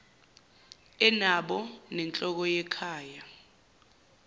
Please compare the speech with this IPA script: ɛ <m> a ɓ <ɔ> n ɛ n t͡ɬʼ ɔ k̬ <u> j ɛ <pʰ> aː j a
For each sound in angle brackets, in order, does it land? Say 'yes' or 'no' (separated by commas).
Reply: no, yes, no, no